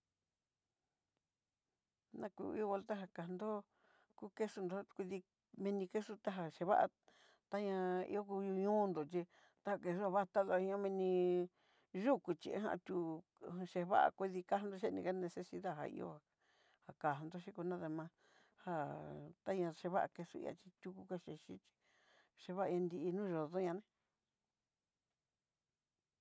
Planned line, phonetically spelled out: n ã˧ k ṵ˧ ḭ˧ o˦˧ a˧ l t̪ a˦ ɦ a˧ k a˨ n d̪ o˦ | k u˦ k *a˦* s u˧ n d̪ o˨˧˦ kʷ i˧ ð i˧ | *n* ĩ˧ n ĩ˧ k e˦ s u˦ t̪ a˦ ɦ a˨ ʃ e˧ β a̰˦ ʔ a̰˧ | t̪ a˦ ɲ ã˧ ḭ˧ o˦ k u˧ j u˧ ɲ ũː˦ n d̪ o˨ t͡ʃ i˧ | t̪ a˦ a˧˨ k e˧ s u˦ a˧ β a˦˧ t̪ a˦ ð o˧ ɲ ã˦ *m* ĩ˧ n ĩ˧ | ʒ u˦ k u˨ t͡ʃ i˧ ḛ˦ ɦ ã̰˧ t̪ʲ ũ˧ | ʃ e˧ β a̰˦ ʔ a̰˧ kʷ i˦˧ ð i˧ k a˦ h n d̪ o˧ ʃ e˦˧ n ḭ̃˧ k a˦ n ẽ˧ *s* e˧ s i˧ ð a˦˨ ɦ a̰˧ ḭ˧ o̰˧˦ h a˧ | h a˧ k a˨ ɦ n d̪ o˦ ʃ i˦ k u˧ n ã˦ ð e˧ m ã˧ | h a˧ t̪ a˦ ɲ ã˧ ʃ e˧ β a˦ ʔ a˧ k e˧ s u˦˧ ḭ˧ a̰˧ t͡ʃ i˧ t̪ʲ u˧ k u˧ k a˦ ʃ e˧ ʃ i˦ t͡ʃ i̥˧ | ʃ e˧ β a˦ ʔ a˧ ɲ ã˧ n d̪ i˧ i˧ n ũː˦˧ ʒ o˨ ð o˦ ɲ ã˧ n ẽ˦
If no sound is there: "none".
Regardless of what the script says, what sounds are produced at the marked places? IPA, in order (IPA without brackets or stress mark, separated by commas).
e˦, m, m, s